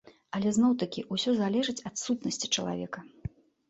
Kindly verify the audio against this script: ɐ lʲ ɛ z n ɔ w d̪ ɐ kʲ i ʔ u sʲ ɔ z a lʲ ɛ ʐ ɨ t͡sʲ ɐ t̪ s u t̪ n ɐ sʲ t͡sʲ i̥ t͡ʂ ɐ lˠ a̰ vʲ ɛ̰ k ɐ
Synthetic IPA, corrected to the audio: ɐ lʲ ɛ z n ɔ w t̪ ɐ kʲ i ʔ u sʲ ɔ z a lʲ ɛ ʐ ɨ t͡sʲ ɐ t̪ s u t̪ n ɐ sʲ t͡sʲ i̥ t͡ʂ ɐ lˠ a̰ vʲ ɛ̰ k ɐ